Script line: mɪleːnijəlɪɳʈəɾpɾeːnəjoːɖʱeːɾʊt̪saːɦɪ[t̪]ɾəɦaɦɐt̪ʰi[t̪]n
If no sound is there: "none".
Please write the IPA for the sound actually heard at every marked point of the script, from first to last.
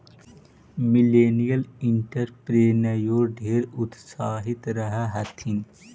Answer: t̪, none

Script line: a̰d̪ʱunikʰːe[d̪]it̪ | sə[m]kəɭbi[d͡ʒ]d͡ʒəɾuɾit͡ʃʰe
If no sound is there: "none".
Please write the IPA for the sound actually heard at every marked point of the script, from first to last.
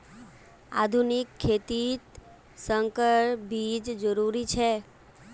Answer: t̪, ŋ, d͡ʒ

